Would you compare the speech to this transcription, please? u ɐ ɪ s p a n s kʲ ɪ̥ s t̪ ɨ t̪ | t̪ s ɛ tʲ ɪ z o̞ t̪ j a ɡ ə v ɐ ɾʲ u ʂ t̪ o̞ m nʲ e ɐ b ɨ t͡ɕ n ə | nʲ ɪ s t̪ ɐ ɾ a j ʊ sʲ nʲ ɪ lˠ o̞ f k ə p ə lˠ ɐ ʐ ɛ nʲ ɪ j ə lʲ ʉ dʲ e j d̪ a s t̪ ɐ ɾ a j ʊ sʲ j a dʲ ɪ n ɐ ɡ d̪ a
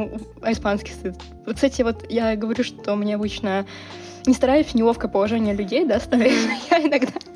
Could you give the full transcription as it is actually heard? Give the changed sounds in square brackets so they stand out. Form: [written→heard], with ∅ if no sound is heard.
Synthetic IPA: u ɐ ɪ s p a n s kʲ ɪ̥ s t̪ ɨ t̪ | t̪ s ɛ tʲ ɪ [z→v] o̞ t̪ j a ɡ ə v ɐ ɾʲ u ʂ t̪ o̞ m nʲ e ɐ b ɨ t͡ɕ n ə | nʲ ɪ s t̪ ɐ ɾ a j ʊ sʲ nʲ ɪ lˠ o̞ f k ə p ə lˠ ɐ ʐ ɛ nʲ ɪ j ə lʲ ʉ dʲ e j d̪ a s t̪ ɐ ɾ a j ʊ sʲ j a [dʲ→∅] ɪ n ɐ ɡ d̪ a